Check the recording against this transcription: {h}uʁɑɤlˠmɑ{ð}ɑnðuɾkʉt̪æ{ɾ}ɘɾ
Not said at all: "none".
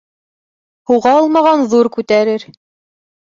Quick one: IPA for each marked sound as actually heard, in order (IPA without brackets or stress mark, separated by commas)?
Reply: h, ʁ, ɾ